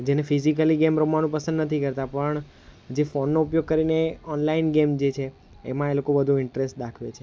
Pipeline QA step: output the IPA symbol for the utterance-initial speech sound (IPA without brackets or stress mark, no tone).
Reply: d͡ʒ